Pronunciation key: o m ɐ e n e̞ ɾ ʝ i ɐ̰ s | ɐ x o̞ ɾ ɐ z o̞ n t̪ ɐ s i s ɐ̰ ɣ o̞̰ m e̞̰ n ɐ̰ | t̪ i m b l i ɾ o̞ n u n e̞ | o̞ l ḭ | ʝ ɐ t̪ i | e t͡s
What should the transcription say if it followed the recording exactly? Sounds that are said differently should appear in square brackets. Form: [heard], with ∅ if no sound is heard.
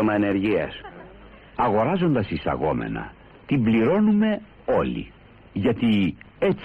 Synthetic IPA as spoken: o m ɐ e n e̞ ɾ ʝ i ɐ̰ s | ɐ [ɣ] o̞ ɾ ɐ z o̞ n [d̪] ɐ s i s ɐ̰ ɣ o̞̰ m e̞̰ n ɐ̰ | t̪ i m b l i ɾ o̞ n u [m] e̞ | o̞ l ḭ | ʝ ɐ t̪ i | e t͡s